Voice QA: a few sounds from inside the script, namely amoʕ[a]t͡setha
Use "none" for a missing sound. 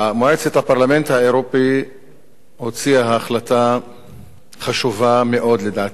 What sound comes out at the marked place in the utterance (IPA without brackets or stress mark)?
e